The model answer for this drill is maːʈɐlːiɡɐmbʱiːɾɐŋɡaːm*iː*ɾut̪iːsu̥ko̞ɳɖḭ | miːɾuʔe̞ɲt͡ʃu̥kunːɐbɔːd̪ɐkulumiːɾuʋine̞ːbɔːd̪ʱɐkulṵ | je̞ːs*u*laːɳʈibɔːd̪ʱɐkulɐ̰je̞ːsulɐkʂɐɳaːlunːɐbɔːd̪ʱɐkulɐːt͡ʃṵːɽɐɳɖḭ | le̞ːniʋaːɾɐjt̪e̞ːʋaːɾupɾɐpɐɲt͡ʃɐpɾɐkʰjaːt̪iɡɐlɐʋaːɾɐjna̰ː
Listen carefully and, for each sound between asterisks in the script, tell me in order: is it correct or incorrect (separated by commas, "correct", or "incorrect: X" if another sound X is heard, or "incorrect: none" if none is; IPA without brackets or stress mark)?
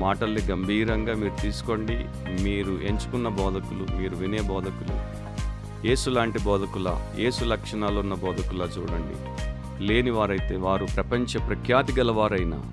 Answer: correct, correct